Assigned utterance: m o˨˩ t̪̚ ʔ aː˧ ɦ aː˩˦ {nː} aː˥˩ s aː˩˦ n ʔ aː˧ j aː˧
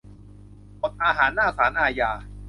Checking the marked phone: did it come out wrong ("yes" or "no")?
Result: no